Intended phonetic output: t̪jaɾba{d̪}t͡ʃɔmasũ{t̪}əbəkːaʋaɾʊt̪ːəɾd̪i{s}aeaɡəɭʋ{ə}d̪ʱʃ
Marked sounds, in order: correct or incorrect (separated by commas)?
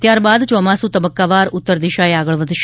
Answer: correct, correct, incorrect, correct